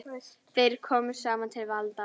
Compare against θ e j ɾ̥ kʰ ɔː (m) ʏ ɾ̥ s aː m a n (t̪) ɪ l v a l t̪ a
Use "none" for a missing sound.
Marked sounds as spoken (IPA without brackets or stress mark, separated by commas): m, t̪ʰ